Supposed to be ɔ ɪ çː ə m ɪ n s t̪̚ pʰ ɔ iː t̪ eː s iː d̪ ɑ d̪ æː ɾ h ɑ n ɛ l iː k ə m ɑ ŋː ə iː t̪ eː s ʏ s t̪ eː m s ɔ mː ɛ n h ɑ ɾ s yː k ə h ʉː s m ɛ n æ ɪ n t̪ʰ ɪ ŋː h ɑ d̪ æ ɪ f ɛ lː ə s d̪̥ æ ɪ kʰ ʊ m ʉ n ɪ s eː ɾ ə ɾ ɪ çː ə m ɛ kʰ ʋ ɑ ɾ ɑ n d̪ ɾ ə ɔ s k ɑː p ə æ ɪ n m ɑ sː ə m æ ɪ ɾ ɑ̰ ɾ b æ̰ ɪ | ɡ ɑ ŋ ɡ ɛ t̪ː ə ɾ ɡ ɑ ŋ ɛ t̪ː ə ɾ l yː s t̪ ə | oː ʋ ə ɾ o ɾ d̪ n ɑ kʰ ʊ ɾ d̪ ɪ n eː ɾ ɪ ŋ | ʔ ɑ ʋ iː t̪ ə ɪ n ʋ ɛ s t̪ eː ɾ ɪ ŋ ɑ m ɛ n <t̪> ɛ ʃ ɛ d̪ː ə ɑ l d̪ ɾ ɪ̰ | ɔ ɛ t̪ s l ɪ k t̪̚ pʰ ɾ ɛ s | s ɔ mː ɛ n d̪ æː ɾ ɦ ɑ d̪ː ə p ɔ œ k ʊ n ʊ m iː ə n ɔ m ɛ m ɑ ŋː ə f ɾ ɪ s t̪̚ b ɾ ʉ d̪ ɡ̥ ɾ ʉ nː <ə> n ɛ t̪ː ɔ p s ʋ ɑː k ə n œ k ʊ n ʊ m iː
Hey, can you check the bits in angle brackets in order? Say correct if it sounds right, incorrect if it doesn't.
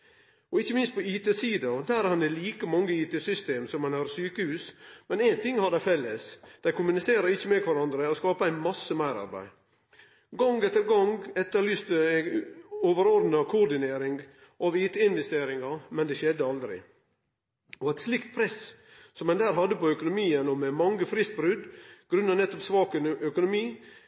incorrect: d̪, incorrect: ɑ

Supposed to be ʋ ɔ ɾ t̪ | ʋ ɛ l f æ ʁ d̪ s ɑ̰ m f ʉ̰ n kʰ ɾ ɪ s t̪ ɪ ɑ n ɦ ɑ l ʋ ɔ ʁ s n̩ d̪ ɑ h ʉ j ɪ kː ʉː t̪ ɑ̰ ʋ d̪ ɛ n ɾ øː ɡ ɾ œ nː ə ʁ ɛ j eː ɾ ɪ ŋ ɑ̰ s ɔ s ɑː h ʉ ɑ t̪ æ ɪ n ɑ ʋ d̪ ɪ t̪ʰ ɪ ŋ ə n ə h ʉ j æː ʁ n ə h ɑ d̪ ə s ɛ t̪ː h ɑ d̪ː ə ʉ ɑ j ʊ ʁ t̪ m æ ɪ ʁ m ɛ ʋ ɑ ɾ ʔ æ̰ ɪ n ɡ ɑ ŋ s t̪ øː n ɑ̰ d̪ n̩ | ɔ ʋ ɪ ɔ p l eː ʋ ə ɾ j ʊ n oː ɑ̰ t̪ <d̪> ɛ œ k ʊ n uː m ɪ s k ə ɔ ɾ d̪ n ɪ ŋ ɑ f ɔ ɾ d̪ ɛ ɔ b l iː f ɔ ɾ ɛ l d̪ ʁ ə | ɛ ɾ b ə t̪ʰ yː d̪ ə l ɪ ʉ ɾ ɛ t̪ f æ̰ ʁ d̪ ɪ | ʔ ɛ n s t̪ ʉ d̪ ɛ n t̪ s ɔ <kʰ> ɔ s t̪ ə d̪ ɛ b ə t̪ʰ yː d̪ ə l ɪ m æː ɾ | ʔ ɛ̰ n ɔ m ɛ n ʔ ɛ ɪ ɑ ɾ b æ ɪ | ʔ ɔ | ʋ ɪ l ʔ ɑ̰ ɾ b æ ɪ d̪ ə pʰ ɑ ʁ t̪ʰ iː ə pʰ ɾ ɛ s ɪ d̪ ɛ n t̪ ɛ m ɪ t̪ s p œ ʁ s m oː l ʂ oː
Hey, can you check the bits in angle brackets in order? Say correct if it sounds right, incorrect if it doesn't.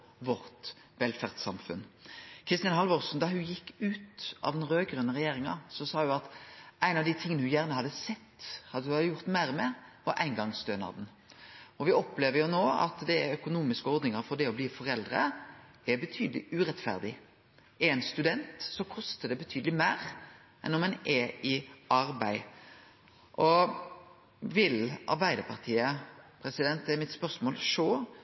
correct, correct

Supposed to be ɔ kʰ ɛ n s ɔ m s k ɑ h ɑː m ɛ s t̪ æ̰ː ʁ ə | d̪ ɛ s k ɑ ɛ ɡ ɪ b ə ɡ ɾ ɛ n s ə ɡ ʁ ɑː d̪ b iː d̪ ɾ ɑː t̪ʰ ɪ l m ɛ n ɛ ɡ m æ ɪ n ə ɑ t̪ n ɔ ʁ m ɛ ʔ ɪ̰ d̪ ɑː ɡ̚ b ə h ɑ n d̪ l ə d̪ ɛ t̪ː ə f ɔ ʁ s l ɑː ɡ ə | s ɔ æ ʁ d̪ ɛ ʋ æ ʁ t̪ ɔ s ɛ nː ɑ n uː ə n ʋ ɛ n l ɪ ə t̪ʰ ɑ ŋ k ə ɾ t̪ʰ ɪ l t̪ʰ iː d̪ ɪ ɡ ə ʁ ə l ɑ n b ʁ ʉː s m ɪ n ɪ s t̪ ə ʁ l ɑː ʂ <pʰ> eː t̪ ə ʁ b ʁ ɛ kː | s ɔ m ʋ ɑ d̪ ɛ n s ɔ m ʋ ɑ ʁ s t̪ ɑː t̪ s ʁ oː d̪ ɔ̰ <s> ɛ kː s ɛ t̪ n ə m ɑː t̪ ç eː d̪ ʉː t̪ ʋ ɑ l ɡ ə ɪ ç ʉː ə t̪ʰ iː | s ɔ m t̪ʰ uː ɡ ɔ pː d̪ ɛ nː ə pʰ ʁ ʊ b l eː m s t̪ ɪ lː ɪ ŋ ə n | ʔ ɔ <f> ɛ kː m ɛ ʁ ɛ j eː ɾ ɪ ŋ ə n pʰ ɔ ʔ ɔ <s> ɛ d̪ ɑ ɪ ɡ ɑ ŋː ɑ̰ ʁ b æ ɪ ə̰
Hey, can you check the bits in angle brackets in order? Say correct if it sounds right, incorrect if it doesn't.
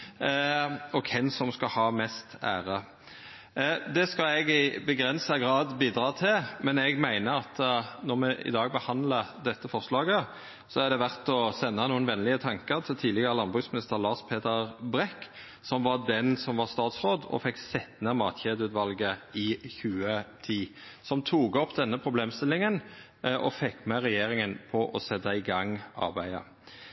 correct, incorrect: f, correct, correct

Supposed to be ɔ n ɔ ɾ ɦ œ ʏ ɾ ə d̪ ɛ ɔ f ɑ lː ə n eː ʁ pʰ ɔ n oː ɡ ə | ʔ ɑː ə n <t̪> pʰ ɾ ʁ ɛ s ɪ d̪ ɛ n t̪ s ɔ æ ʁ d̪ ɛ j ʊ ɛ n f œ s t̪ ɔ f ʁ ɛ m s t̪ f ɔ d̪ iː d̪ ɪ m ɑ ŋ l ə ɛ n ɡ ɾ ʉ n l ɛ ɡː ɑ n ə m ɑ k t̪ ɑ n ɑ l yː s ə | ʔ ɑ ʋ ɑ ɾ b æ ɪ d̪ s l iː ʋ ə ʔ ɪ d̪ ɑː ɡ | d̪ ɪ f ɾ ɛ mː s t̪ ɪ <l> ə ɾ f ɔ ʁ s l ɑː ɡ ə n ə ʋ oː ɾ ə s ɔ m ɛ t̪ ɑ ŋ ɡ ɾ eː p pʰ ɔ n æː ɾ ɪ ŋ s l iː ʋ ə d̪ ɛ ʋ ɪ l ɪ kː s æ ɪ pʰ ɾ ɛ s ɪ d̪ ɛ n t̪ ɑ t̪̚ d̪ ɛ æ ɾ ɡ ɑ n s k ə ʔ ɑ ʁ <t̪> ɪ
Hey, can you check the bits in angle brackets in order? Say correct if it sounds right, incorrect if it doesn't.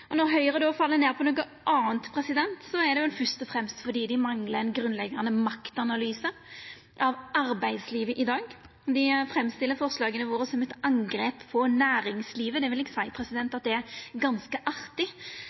correct, incorrect: lː, correct

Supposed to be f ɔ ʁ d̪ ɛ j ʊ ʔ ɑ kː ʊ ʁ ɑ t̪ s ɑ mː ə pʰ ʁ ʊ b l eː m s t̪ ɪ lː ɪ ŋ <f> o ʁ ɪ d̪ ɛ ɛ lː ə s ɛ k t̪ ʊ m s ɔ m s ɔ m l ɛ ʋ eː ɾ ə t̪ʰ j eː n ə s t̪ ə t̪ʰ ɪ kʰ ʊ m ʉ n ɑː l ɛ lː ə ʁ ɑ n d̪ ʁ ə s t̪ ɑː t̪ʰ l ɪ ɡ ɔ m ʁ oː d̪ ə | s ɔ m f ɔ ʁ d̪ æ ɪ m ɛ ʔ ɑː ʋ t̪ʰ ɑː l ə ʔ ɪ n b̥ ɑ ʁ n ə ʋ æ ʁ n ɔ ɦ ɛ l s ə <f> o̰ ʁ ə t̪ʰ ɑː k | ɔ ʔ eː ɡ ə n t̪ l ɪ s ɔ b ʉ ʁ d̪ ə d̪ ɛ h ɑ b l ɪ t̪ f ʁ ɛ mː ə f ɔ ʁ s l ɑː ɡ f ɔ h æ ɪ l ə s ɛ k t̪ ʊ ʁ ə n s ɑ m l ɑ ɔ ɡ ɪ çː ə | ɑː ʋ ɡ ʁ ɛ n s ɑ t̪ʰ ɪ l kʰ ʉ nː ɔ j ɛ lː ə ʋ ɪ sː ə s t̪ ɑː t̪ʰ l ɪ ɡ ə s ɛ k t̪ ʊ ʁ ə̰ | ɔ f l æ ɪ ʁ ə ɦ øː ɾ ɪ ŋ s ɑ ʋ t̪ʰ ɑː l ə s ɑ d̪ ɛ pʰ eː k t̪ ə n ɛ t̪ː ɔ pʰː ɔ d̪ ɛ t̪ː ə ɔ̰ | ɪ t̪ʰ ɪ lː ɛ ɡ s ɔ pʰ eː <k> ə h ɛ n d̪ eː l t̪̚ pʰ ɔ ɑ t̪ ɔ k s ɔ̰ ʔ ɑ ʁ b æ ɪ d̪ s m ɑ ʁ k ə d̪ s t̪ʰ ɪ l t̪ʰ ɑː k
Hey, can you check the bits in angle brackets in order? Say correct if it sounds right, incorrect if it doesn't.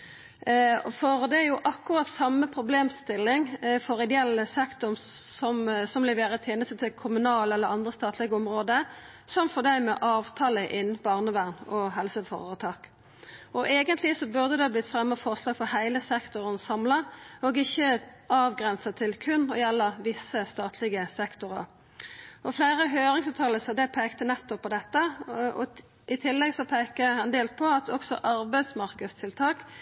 correct, correct, correct

